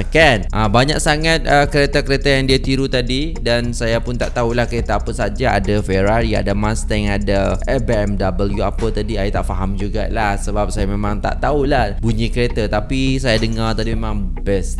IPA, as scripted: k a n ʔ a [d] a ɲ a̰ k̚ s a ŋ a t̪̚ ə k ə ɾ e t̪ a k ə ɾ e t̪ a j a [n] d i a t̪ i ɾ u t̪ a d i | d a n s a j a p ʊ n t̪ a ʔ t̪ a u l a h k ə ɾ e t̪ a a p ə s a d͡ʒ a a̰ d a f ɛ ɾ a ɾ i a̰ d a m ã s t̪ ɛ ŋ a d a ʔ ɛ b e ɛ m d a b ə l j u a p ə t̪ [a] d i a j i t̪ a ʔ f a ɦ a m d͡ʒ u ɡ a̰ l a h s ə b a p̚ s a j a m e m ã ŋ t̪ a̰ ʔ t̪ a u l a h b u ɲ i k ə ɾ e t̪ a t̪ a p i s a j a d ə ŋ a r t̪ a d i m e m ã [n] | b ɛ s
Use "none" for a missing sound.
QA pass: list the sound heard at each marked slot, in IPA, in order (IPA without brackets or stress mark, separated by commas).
b, ŋ, a, ŋ